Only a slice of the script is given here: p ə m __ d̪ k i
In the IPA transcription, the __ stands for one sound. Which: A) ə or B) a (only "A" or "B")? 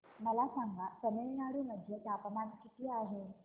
B